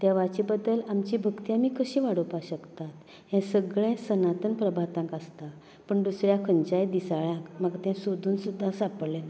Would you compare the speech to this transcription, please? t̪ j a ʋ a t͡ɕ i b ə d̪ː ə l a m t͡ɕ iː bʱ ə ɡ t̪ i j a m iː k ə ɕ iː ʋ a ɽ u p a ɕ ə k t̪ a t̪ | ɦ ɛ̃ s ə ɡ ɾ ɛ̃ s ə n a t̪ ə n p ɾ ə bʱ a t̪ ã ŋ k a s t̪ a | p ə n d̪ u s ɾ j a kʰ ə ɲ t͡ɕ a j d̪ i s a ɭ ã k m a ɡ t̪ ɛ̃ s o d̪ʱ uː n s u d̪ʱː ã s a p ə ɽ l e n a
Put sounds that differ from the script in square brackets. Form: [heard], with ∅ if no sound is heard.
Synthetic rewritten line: t̪ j a ʋ a t͡ɕ i b ə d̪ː ə l a m t͡ɕ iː bʱ ə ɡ t̪ i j a m iː k ə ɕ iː ʋ a ɽ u p a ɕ ə k t̪ a t̪ | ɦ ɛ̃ s ə ɡ [ɭ] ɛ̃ s ə n a t̪ ə n p ɾ ə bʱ a t̪ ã ŋ k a s t̪ a | p ə [ɳ] d̪ u s ɾ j a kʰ ə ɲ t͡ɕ a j d̪ i s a ɭ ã k m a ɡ t̪ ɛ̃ s o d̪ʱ uː n s u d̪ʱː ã s a p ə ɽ l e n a